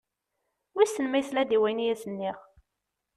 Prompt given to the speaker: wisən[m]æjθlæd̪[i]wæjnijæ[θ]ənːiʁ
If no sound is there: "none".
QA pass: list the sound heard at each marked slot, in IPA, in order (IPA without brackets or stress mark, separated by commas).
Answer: m, i, s